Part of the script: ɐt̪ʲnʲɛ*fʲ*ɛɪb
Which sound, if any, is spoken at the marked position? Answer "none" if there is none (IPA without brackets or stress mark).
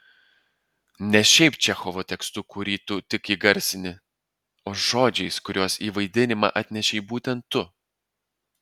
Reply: ʃʲ